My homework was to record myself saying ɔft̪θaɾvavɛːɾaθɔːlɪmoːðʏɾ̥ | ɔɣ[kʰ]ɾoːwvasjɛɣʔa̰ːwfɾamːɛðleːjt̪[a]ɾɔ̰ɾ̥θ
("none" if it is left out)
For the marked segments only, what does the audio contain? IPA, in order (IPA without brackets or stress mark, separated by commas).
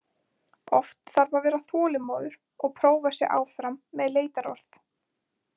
pʰ, a